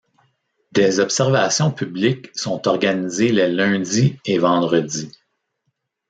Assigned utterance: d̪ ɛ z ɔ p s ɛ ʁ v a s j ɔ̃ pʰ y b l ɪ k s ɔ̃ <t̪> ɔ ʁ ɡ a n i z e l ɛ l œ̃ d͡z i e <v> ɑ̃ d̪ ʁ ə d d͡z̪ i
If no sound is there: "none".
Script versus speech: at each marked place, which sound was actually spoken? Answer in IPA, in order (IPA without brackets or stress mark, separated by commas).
t̪, v